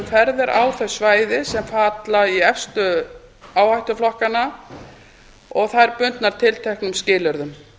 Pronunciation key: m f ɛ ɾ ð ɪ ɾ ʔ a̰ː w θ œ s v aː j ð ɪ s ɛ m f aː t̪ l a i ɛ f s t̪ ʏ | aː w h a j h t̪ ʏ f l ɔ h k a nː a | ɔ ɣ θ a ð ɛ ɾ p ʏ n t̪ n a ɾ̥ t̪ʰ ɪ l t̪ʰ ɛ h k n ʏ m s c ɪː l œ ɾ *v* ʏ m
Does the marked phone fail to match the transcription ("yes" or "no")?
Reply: yes